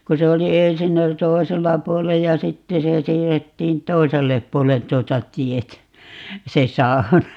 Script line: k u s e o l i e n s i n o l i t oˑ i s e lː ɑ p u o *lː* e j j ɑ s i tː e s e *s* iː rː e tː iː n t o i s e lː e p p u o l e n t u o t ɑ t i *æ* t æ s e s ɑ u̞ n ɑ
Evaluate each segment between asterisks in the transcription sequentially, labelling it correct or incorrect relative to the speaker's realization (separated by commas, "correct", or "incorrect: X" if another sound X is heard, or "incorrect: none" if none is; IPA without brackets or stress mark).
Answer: incorrect: l, correct, incorrect: e